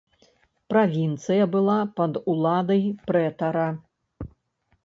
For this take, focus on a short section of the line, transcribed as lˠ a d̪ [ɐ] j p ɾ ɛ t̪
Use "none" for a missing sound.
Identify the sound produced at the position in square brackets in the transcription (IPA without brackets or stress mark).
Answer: ɐ